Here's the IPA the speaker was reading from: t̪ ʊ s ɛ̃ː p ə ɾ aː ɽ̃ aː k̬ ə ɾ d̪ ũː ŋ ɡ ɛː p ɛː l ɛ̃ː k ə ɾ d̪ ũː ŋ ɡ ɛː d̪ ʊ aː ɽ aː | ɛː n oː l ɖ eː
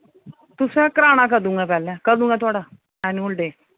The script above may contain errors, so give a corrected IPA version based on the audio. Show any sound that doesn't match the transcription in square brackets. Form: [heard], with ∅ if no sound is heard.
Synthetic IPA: t̪ ʊ s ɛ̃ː [k] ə ɾ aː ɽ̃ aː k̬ ə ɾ d̪ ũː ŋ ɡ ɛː p ɛː l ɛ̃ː k ə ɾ d̪ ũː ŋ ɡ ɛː [t̪] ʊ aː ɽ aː | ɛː n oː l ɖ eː

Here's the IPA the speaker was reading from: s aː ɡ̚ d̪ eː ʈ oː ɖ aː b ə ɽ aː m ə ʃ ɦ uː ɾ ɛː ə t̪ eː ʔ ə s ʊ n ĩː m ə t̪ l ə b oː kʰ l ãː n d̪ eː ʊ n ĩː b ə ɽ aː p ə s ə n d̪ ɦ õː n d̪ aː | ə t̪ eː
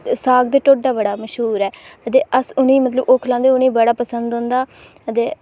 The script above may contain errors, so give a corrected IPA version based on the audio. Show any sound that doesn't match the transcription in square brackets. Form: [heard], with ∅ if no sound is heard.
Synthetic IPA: s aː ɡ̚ d̪ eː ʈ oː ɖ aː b ə ɽ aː m ə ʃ ɦ uː ɾ ɛː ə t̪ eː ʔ ə s ʊ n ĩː m ə t̪ l ə b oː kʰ l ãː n d̪ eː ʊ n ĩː b ə ɽ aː p ə s ə n d̪ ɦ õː n d̪ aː | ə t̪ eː

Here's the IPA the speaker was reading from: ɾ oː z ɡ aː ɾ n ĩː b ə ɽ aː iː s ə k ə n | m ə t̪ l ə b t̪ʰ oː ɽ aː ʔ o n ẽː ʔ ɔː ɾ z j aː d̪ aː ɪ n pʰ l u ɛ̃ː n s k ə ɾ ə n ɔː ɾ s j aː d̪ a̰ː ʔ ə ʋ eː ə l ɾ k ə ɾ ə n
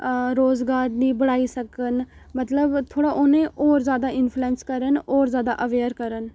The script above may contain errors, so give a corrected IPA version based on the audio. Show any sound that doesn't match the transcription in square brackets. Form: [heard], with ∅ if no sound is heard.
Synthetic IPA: ɾ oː z ɡ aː ɾ n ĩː b ə ɽ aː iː s ə k ə n | m ə t̪ l ə b t̪ʰ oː ɽ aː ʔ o n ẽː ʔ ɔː ɾ z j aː d̪ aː ɪ n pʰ l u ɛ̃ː n s k ə ɾ ə n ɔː ɾ [z] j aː d̪ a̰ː ʔ ə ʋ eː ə [∅] ɾ k ə ɾ ə n

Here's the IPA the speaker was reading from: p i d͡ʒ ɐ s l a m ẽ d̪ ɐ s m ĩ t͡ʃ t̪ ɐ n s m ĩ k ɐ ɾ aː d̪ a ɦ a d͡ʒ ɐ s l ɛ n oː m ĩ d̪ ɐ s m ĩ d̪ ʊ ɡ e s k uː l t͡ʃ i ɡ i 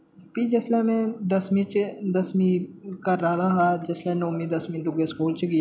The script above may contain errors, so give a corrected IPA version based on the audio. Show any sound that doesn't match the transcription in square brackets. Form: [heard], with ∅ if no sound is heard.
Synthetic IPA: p i d͡ʒ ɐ s l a m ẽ d̪ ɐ s m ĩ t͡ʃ [d̪] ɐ [∅] s m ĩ k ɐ ɾ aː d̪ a ɦ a d͡ʒ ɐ s l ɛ n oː m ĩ d̪ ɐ s m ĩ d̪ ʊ ɡ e s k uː l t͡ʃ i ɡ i

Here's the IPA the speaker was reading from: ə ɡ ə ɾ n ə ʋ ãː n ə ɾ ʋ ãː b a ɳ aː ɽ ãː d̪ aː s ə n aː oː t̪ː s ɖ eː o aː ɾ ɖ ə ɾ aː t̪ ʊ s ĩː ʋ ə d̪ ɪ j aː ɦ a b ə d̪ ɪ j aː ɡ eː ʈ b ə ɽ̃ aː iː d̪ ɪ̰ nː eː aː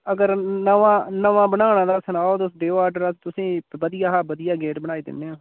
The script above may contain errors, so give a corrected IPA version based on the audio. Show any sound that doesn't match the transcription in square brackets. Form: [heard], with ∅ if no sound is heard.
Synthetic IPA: ə ɡ ə ɾ n ə ʋ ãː n ə [∅] ʋ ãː b [ə] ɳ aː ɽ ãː d̪ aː s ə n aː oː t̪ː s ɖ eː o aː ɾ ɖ ə ɾ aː t̪ ʊ s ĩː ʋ ə d̪ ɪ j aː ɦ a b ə d̪ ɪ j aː ɡ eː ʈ b ə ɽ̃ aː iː d̪ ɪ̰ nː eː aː

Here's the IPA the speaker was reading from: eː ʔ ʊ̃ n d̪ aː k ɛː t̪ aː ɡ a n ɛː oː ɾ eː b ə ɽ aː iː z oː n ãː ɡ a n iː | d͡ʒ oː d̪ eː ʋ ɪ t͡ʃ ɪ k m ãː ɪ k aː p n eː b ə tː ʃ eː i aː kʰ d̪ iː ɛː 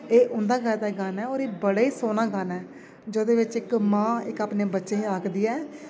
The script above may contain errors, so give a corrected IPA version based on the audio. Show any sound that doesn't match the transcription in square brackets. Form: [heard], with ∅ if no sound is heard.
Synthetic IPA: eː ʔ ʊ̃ n d̪ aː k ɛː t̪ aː ɡ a n ɛː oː ɾ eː b ə ɽ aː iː [s] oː n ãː ɡ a n [ɛː] | d͡ʒ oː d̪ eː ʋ ɪ t͡ʃ ɪ k m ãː ɪ k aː p n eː b ə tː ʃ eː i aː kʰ d̪ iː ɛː

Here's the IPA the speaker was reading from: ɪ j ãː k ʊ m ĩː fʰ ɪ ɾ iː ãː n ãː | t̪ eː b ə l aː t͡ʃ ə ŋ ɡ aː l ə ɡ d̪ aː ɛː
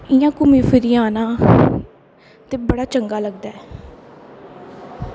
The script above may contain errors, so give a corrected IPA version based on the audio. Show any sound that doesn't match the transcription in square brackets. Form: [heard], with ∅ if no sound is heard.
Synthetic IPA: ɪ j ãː k ʊ m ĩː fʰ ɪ ɾ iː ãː n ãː | t̪ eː b ə [ɽ] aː t͡ʃ ə ŋ ɡ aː l ə ɡ d̪ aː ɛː

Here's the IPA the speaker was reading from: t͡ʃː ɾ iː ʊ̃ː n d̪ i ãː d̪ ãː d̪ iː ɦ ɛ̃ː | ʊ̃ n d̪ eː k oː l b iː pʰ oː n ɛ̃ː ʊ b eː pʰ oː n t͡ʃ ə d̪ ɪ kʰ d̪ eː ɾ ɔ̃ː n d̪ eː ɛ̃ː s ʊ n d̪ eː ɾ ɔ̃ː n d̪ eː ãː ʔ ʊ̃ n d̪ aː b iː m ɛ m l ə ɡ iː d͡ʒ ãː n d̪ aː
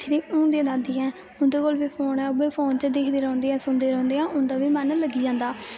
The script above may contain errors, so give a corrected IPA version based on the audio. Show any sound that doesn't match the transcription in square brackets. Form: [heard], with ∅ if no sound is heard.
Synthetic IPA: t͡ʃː ɾ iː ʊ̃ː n d̪ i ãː d̪ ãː d̪ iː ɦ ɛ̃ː | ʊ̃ n d̪ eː k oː l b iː pʰ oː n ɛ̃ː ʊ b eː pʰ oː n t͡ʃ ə d̪ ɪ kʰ d̪ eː ɾ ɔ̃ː n d̪ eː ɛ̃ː s ʊ n d̪ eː ɾ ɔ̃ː n d̪ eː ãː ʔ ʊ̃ n d̪ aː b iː m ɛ [n] l ə ɡ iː d͡ʒ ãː n d̪ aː

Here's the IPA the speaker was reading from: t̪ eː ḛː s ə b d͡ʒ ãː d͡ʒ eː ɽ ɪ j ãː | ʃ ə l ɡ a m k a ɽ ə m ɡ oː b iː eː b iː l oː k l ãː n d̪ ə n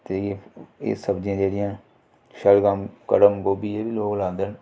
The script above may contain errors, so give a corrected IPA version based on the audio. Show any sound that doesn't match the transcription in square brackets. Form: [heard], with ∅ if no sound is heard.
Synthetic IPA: t̪ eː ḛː s ə b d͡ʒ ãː d͡ʒ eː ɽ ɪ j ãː | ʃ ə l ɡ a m k [ə] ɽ ə m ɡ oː b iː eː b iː l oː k l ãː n d̪ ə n

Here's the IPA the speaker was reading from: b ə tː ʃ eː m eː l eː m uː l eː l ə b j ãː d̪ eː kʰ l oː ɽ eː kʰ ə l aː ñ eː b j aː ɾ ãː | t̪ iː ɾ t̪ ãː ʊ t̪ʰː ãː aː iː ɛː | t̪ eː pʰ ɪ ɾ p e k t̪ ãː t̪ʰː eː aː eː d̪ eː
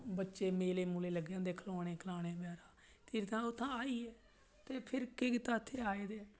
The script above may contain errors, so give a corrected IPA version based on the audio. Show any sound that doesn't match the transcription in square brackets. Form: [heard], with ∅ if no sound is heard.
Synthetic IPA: b ə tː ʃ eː m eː l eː m uː l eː l ə [ɡ] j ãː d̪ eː kʰ l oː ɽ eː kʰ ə l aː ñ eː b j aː ɾ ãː | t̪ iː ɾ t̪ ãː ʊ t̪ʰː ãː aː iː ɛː | t̪ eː pʰ ɪ ɾ [k] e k t̪ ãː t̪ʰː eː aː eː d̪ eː

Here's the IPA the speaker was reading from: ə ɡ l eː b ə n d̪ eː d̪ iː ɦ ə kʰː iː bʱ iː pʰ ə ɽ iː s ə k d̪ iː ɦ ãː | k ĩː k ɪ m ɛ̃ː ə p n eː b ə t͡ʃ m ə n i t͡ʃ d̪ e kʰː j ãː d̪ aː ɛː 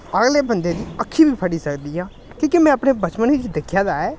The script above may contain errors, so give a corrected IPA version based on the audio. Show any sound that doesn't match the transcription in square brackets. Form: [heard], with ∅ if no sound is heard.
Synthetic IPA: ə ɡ l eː b ə n d̪ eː d̪ iː [∅] ə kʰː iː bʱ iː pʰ ə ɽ iː s ə k d̪ iː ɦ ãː | k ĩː k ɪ m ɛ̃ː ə p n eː b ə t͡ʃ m ə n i t͡ʃ d̪ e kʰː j [aː] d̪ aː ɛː

